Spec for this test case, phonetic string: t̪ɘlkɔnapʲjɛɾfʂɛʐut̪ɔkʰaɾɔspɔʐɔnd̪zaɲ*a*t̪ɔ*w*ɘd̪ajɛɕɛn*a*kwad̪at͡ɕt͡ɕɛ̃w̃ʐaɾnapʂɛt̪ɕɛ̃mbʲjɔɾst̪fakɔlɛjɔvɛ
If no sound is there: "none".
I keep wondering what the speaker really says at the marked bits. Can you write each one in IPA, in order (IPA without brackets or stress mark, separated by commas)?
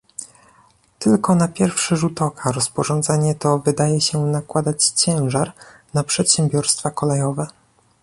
ɛ, v, a